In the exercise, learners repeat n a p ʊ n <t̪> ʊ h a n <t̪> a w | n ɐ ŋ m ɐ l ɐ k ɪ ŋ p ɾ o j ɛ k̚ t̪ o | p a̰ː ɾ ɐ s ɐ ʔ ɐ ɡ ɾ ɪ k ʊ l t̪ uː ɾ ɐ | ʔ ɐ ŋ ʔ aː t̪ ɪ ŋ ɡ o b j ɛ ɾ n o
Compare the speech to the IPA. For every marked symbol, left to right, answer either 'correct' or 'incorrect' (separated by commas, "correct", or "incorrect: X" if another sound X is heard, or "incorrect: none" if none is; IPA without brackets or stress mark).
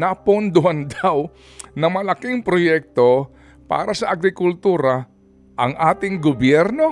incorrect: d̪, incorrect: d̪